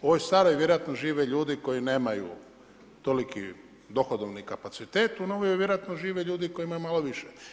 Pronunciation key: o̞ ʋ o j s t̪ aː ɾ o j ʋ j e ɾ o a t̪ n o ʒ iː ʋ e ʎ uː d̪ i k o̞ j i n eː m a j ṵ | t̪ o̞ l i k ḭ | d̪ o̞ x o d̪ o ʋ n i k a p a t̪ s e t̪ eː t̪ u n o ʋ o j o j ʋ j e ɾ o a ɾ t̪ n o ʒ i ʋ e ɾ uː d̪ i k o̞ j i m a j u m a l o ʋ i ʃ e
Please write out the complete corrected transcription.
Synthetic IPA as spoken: o̞ ʋ o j s t̪ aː ɾ o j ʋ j e ɾ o a t̪ n o ʒ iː ʋ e ʎ uː d̪ i k o̞ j i n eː m a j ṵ | t̪ o̞ l i k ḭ | d̪ o̞ x o d̪ o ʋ n i k a p a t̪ s i t̪ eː t̪ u n o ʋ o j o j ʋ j e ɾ o a t̪ n o ʒ iː ʋ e ʎ uː d̪ i k o̞ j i m a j u m a l o ʋ i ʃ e